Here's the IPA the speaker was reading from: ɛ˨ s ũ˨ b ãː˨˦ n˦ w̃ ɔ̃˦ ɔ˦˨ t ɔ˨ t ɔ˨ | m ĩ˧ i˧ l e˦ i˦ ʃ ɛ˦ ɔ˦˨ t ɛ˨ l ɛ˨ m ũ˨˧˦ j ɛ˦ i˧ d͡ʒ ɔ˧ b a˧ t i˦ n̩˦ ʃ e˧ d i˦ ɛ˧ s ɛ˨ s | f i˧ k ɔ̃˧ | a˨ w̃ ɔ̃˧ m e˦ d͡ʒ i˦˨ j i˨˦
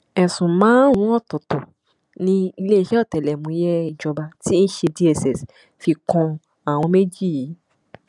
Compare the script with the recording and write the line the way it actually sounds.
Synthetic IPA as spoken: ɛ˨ s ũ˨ m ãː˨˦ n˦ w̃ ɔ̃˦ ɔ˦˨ t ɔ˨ t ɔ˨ | n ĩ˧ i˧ l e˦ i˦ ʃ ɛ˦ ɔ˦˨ t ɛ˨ l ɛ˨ m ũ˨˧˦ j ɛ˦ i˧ d͡ʒ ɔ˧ b a˧ t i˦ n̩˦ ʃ e˧ d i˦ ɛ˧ s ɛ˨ s | f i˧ k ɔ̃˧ | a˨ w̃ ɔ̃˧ m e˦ d͡ʒ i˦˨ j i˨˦

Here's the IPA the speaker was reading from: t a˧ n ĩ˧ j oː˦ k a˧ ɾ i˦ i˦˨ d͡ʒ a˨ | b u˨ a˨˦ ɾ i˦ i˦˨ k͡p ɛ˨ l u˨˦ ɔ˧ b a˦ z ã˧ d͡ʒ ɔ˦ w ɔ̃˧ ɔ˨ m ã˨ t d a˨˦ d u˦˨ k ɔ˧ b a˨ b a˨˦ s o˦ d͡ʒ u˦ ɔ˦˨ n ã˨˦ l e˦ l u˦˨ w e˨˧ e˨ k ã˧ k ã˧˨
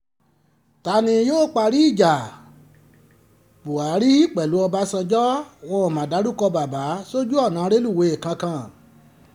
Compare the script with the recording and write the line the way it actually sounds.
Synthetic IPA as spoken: t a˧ n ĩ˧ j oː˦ k͡p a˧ ɾ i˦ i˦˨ d͡ʒ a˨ | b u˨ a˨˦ ɾ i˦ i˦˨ k͡p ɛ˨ l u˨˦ ɔ˧ b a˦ s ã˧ d͡ʒ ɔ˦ w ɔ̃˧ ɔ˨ m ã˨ d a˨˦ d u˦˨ k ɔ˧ b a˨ b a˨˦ s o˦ d͡ʒ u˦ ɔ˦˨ n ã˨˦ ɾ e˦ l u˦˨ w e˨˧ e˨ k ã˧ k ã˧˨

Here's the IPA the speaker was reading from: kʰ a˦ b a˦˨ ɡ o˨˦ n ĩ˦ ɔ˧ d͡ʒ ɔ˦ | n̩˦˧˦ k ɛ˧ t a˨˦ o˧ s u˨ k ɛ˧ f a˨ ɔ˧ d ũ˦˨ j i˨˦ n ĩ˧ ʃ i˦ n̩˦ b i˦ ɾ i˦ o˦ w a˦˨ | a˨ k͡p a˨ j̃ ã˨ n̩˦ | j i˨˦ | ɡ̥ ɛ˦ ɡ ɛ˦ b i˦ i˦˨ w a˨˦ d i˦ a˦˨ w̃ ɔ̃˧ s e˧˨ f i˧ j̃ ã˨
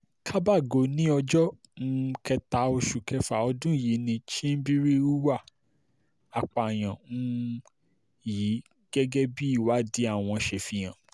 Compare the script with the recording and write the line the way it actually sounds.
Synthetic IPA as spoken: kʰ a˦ b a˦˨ ɡ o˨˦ n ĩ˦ ɔ˧ d͡ʒ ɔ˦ | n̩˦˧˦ k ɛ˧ t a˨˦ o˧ ʃ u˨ k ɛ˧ f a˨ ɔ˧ d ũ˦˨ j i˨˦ n ĩ˧ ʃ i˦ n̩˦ b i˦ ɾ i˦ u˦ w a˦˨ | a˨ k͡p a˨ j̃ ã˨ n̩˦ | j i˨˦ | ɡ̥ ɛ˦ ɡ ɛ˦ b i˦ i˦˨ w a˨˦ d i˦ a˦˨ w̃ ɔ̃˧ ʃ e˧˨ f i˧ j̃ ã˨

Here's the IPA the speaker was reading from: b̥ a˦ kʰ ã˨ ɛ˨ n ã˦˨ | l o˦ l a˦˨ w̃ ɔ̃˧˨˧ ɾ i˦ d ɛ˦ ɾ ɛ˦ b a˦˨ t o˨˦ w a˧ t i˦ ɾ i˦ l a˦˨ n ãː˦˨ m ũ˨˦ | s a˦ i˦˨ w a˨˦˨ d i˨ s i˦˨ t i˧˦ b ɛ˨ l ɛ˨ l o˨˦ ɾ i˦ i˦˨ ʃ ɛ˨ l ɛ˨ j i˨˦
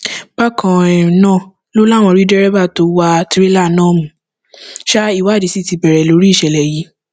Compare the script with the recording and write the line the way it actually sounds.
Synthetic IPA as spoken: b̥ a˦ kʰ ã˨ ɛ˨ n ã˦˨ | l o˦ l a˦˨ w̃ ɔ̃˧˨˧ ɾ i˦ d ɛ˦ ɾ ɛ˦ b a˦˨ t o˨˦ w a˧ t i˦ ɾ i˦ l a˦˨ n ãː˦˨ m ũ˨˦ | ʃ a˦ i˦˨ w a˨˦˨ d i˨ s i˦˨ t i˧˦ b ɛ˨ ɾ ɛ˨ l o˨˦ ɾ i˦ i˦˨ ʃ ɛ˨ l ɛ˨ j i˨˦

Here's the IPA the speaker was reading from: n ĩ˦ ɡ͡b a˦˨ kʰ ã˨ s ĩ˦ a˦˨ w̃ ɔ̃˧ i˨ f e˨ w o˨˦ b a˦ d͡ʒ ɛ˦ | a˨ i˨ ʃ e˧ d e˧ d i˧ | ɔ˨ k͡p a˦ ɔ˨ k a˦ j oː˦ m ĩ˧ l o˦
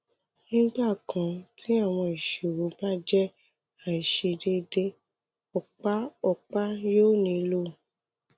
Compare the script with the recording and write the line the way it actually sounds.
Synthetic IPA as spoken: n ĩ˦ ɡ͡b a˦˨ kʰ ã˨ t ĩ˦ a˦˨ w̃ ɔ̃˧ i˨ ʃ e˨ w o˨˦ b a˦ d͡ʒ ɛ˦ | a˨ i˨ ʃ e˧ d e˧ d e˧ | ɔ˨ k͡p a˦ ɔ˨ k͡p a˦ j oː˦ n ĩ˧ l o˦

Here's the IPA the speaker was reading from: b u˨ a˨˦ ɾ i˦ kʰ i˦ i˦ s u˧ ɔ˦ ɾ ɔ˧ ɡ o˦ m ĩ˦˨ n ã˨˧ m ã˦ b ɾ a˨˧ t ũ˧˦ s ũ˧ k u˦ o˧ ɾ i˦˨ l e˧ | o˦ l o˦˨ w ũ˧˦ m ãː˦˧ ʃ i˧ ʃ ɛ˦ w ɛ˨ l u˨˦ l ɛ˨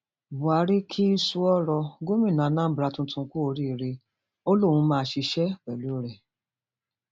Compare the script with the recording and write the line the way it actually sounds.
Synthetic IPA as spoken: b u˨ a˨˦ ɾ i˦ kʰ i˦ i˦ s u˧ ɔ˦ ɾ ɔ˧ ɡ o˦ m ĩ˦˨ n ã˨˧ n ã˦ b ɾ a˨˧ t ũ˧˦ t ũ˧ k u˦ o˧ ɾ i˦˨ ɾ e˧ | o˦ l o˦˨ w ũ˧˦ m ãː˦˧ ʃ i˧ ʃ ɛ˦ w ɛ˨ l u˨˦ ɾ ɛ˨

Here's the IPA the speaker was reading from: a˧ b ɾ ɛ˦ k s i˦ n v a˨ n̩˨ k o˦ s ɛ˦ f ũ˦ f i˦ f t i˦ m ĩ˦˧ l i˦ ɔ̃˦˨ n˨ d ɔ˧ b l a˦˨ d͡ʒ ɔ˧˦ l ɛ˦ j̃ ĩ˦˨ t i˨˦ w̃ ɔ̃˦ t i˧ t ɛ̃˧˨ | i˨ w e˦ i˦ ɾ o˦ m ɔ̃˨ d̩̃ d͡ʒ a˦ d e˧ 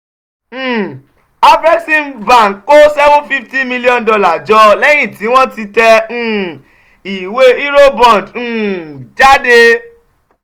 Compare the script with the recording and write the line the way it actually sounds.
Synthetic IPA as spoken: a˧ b ɾ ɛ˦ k s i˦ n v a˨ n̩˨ k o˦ s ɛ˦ v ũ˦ f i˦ f t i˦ m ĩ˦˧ l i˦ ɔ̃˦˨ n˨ d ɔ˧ l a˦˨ d͡ʒ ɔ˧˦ l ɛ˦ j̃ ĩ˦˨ t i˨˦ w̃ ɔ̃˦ t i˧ t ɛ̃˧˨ | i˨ w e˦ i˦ ɾ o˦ b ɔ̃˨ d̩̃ d͡ʒ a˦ d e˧

